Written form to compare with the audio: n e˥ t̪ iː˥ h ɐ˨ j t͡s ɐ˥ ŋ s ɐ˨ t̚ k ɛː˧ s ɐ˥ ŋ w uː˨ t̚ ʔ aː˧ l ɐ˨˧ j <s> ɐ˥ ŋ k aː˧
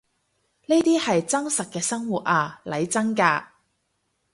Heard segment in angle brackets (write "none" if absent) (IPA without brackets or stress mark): t͡s